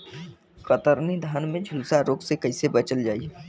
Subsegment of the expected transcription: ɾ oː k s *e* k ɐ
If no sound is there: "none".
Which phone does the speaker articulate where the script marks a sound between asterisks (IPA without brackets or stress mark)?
e